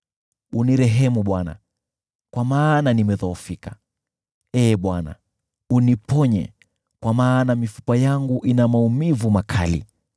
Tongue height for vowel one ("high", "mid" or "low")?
high